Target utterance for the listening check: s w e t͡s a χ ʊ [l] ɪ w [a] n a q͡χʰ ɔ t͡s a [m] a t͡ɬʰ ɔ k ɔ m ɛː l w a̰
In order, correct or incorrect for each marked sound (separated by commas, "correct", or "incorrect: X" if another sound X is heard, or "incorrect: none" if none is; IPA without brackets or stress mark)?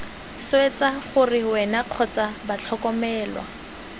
incorrect: r, incorrect: ɛ, incorrect: b